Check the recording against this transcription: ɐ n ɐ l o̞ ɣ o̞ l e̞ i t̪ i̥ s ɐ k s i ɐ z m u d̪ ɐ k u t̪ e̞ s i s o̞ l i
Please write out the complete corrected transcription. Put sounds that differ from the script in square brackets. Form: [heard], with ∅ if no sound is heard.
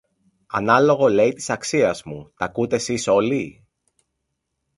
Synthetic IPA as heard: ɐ n ɐ l o̞ ɣ o̞ l e̞ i t̪ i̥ s ɐ k s i ɐ z m u [t̪] ɐ k u t̪ e̞ s i s o̞ l i